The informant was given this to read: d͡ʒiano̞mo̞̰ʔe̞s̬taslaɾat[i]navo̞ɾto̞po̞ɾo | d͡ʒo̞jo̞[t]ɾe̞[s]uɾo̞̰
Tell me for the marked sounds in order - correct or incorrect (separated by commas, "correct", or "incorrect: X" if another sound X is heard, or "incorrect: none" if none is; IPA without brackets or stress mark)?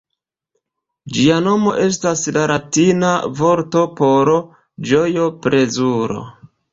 correct, incorrect: p, incorrect: z